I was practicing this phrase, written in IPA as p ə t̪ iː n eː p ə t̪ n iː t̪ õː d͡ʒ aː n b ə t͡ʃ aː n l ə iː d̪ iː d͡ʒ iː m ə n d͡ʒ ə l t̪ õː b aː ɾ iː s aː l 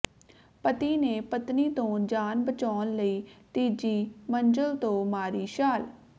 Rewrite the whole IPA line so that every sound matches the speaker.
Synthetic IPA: p ə t̪ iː n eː p ə t̪ n iː t̪ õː d͡ʒ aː n b ə t͡ʃ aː n l ə iː t̪ iː d͡ʒ iː m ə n d͡ʒ ə l t̪ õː m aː ɾ iː ʃ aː l